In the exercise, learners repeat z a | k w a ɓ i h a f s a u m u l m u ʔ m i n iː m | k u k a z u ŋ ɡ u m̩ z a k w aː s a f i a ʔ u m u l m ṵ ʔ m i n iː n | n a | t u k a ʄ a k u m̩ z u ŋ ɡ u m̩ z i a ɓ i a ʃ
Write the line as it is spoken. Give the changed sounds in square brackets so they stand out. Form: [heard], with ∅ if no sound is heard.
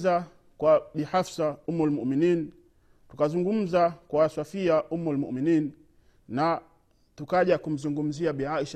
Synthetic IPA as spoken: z a | k w a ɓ i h a f s a u m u l m u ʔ m i n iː [n] | [t] u k a z u ŋ ɡ u m̩ z a k w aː s a f i a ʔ u m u l m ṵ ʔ m i n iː n | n a | t u k a ʄ a k u m̩ z u ŋ ɡ u m̩ z i a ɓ i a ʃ